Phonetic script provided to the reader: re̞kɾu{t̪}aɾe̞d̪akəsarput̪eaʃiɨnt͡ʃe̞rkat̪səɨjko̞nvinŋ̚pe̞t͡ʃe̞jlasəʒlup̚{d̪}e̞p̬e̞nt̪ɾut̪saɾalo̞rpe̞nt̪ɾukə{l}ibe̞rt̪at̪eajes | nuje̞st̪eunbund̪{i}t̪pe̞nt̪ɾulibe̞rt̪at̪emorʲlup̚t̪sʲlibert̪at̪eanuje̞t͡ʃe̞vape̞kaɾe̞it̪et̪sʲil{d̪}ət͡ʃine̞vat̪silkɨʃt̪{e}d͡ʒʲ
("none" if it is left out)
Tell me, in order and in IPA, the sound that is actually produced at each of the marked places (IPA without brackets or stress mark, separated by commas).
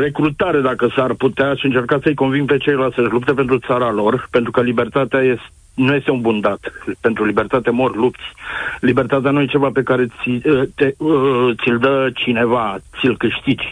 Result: t̪, t̪, l, a, d̪, i